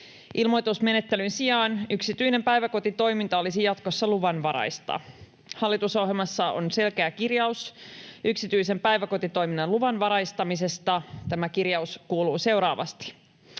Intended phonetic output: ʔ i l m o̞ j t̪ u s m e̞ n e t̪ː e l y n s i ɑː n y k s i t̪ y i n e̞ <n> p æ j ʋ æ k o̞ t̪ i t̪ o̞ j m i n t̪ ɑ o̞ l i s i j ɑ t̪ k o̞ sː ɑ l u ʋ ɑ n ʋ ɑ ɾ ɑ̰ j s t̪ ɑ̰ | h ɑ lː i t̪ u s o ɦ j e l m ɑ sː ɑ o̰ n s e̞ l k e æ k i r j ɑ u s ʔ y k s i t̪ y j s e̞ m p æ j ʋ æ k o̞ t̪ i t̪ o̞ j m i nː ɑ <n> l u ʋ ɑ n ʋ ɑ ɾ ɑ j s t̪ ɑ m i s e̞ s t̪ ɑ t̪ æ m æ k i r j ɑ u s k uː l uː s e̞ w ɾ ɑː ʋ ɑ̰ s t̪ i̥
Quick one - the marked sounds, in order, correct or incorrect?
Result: incorrect: m, correct

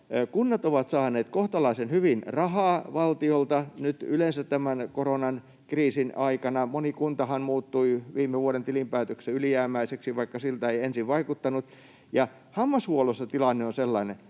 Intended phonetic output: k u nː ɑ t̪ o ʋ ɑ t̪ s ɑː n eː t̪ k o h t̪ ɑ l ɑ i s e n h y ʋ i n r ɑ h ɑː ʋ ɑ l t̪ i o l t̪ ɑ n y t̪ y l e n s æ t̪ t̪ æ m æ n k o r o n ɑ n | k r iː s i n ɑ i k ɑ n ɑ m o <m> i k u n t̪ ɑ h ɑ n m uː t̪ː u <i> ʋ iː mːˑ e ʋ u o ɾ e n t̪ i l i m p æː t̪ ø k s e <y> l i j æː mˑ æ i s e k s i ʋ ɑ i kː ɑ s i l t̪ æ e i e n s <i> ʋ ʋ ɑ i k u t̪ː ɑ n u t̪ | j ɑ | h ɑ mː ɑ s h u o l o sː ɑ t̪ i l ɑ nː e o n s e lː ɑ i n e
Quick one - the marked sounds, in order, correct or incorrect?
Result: incorrect: n, correct, correct, correct

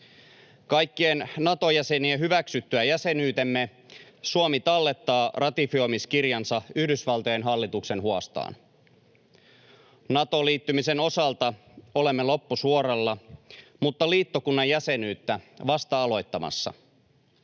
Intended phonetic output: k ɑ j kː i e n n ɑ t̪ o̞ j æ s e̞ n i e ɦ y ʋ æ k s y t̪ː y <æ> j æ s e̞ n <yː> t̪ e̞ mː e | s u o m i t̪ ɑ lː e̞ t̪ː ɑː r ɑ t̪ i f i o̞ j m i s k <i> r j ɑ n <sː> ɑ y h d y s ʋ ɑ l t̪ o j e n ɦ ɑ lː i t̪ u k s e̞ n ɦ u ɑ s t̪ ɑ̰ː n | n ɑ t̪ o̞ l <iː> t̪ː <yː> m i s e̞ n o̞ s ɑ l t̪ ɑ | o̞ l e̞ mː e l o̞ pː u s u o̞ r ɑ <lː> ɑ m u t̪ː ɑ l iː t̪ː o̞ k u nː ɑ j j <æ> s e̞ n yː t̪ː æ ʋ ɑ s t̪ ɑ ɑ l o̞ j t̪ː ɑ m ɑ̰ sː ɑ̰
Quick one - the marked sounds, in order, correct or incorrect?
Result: correct, correct, correct, incorrect: s, correct, incorrect: y, correct, correct

